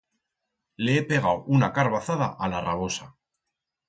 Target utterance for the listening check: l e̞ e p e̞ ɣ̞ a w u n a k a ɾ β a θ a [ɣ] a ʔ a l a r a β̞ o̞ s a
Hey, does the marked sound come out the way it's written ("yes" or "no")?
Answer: no